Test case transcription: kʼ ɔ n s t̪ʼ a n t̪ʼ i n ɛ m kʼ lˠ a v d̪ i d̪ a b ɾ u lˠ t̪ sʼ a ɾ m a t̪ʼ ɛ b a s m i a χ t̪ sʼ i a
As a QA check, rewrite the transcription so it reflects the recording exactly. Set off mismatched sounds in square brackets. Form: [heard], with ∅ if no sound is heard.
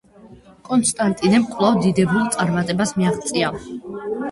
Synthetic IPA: kʼ ɔ n s t̪ʼ a n t̪ʼ i n ɛ m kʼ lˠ a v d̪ i d̪ [ɛ] b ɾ u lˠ t̪ sʼ a ɾ m a t̪ʼ ɛ b a s m i a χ t̪ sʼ i a